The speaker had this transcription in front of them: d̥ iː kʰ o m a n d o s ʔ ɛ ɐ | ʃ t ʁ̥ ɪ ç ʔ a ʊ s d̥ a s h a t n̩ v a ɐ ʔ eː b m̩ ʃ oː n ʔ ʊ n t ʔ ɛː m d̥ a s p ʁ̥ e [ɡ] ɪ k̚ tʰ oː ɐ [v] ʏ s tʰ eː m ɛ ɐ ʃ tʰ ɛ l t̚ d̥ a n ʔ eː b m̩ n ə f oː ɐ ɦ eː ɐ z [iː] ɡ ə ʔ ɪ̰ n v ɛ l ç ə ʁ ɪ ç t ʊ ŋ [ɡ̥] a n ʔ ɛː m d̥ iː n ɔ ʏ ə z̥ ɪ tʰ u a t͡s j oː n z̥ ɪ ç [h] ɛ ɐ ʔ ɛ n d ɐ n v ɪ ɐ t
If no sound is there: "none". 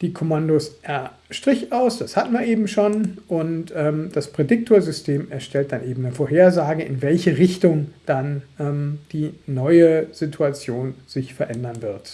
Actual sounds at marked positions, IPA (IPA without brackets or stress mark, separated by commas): d, z, aː, d̥, f